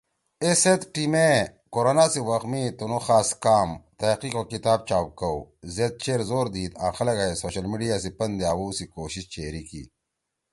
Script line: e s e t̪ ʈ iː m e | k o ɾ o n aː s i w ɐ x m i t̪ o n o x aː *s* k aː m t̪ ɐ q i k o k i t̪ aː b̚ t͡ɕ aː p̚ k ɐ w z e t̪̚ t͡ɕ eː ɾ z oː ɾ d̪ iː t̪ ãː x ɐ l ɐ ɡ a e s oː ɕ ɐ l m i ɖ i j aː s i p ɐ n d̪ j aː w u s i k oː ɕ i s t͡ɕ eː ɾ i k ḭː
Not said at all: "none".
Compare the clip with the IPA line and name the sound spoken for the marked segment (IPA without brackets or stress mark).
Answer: s